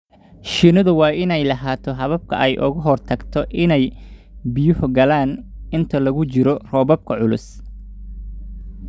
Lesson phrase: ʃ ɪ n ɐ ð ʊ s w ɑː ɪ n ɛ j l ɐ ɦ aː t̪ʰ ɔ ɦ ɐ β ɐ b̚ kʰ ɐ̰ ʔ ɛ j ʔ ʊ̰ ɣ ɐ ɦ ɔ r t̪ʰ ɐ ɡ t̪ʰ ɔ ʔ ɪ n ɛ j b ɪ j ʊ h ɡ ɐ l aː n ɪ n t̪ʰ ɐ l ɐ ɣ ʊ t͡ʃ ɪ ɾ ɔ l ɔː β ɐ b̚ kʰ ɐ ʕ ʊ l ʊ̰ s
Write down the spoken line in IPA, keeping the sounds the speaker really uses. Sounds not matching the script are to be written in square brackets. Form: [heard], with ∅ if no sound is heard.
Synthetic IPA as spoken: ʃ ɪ n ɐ ð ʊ [∅] w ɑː ɪ n ɛ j l ɐ ɦ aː t̪ʰ ɔ ɦ ɐ β ɐ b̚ kʰ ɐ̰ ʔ ɛ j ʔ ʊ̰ ɣ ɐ ɦ ɔ r t̪ʰ ɐ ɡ t̪ʰ ɔ ʔ ɪ n ɛ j b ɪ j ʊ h ɡ ɐ l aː n ɪ n t̪ʰ ɐ l ɐ ɣ ʊ t͡ʃ ɪ ɾ ɔ [r] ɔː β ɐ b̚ kʰ ɐ ʕ ʊ l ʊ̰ s